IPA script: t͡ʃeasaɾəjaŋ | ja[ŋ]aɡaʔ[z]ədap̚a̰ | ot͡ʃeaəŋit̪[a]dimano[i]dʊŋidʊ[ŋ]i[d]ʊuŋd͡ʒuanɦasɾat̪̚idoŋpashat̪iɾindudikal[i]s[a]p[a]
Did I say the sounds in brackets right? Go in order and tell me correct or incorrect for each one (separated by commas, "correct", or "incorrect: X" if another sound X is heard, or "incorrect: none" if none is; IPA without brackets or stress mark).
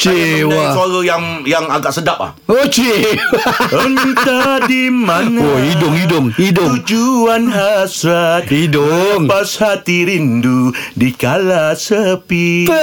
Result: correct, incorrect: s, correct, correct, correct, correct, incorrect: a, incorrect: ə, incorrect: i